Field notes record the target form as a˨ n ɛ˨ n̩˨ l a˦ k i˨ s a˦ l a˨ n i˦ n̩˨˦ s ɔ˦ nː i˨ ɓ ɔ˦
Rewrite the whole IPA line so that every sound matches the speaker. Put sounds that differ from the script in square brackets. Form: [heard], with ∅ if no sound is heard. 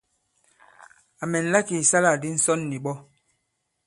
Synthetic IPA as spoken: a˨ [m] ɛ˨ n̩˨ l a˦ k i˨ s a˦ l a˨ [d] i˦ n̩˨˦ s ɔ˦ nː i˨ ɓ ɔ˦